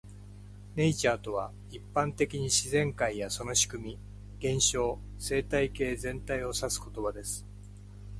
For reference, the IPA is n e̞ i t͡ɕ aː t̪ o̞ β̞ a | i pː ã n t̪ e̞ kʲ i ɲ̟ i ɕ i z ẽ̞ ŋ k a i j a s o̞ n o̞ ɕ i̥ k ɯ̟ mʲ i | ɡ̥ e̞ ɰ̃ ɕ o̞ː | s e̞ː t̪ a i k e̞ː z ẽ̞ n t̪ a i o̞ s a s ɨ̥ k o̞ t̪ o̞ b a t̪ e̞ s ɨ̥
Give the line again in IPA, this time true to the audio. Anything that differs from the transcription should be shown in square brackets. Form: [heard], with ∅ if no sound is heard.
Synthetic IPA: n e̞ i t͡ɕ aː t̪ o̞ β̞ a | i pː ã n t̪ e̞ kʲ i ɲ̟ i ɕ i z ẽ̞ ŋ k a i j a s o̞ n o̞ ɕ i̥ k ɯ̟ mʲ i | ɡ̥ [ẽ̞] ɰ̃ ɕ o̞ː | s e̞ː t̪ a i k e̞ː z ẽ̞ n t̪ a i o̞ s a s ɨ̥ k o̞ t̪ o̞ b a [d̪] e̞ s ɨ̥

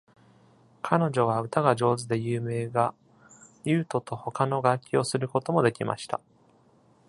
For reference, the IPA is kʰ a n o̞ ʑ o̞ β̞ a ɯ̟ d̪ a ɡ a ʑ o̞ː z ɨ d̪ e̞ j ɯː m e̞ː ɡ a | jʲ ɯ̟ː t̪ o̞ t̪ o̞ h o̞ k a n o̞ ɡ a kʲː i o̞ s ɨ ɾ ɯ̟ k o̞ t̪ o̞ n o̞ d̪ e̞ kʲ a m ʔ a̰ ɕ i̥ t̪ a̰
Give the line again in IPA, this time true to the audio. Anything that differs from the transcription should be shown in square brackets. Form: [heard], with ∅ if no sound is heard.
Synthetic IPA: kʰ a n o̞ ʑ o̞ β̞ a ɯ̟ [t̪] a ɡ a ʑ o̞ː z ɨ d̪ e̞ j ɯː m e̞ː ɡ a | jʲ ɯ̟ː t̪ o̞ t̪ o̞ h o̞ k a n o̞ ɡ a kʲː i o̞ s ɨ ɾ ɯ̟ k o̞ t̪ o̞ [m] o̞ d̪ e̞ kʲ [i] m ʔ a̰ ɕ i̥ t̪ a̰

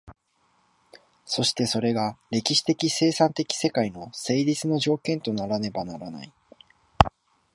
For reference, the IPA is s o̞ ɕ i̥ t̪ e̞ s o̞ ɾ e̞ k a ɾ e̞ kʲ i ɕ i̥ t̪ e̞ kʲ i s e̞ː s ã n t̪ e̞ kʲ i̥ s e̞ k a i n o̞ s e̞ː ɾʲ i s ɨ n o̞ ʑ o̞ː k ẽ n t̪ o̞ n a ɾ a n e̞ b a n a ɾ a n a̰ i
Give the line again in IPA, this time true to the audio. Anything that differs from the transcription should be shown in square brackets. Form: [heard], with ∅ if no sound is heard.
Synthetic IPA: s o̞ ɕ i̥ t̪ e̞ s o̞ ɾ e̞ [ɡ] a ɾ e̞ kʲ i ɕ i̥ t̪ e̞ kʲ i s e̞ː s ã n t̪ e̞ kʲ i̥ s e̞ k a i n o̞ s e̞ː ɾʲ i [t͡s] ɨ n o̞ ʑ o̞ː k ẽ n t̪ o̞ n a ɾ a n e̞ b a n a ɾ a n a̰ i

